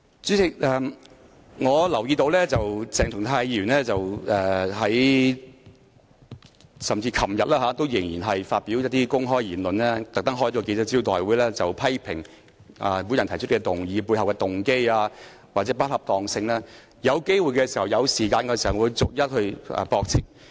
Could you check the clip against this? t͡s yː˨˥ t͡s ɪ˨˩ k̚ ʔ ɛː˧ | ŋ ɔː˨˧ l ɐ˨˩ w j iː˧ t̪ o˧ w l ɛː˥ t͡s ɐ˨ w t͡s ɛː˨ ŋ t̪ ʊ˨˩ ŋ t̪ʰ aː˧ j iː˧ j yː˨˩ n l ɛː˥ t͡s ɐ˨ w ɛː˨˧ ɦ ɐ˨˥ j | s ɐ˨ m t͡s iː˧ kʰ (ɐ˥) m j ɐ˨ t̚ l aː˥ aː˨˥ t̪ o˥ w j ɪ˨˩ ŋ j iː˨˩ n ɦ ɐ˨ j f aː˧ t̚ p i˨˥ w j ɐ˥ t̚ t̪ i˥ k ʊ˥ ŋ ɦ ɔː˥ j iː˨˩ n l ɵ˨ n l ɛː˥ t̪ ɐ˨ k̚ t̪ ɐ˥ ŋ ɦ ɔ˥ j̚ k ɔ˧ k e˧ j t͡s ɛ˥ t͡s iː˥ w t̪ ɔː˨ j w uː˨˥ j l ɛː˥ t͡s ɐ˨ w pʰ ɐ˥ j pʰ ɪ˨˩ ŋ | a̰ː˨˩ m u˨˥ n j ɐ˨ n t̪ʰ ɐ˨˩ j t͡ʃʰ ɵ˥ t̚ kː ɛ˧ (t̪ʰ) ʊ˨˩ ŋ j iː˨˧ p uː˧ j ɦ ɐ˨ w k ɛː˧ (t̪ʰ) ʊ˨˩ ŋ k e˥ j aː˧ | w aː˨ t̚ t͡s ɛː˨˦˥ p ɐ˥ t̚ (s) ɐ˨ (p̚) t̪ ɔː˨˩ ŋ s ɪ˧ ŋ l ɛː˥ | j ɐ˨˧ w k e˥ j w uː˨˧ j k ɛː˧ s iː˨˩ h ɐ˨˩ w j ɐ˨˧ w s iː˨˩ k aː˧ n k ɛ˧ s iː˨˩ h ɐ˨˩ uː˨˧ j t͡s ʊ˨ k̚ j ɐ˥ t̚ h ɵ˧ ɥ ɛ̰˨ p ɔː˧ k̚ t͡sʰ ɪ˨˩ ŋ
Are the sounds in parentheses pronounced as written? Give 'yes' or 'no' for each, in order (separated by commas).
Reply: no, no, no, no, yes